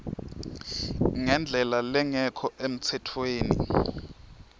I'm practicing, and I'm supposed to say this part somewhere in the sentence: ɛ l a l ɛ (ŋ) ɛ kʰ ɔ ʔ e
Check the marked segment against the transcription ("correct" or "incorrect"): correct